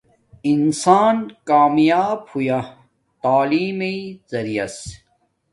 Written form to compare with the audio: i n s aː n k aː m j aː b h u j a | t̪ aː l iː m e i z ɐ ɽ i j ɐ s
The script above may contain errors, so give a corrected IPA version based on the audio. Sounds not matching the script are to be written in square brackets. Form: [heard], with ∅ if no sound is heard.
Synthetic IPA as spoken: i n s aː n k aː m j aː b h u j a | t̪ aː l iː m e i z ɐ [ɾ] i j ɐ s